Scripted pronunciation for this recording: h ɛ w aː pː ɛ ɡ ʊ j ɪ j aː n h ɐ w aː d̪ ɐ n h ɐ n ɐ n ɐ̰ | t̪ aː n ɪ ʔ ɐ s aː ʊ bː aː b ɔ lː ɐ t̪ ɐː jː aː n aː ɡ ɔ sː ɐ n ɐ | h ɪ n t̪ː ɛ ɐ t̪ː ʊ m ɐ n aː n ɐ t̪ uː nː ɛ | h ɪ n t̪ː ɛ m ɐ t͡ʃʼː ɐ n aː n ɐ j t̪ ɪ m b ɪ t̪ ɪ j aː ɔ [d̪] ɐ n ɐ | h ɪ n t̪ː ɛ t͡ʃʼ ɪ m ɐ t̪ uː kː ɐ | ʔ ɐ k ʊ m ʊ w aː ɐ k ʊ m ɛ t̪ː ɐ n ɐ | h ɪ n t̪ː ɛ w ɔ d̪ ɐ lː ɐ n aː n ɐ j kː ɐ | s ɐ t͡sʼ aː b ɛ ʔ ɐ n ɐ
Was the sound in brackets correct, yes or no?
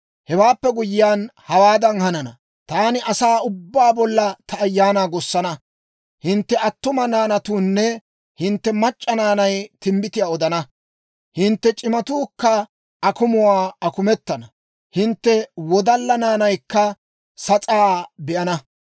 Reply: yes